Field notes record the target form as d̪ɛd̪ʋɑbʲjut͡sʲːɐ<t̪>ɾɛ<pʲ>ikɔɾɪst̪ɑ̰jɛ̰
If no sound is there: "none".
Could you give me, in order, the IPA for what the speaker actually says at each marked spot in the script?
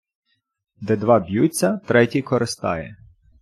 t̪, tʲ

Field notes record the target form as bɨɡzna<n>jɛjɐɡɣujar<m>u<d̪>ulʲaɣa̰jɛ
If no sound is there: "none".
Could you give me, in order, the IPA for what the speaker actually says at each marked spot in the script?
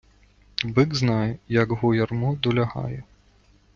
none, m, d̪

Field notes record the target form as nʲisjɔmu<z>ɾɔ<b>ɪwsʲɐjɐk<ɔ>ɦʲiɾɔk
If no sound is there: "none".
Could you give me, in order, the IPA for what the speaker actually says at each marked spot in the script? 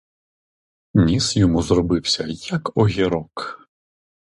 z, b, ɔ

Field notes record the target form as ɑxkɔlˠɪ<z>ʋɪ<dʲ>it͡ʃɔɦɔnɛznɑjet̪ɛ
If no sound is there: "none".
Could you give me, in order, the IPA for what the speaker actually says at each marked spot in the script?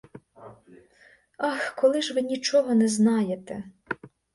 ʒ, nʲ

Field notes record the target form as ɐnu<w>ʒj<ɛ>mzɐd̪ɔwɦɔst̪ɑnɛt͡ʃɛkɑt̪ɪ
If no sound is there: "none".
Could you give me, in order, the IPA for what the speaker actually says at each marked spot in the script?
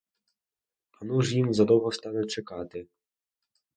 none, i

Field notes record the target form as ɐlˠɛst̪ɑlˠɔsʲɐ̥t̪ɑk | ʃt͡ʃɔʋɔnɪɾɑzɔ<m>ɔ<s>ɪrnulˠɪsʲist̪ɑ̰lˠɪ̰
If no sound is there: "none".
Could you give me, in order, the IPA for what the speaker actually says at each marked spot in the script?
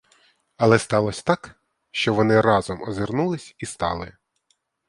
m, z

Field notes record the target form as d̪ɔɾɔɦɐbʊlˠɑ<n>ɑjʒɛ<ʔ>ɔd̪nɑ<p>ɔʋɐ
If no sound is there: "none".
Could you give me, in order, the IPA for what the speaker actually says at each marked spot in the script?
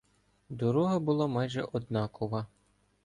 m, ʔ, k

